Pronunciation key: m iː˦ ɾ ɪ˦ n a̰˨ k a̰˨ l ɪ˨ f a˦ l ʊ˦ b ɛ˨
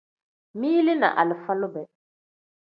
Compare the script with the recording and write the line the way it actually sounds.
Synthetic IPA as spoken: m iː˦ l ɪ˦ n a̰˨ ʔ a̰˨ l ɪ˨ f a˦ l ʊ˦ b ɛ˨